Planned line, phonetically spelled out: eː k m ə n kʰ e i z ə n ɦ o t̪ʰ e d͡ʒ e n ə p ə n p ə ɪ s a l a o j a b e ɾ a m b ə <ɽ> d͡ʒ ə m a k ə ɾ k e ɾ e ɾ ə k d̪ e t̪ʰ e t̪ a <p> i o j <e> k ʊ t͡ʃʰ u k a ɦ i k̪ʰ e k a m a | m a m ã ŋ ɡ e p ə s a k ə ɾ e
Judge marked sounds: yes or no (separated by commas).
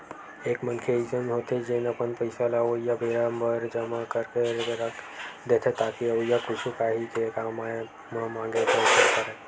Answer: no, no, no